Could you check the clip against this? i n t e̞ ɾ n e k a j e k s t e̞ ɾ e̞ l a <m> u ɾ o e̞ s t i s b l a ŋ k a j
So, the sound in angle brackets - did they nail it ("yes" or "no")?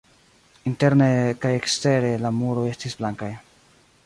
yes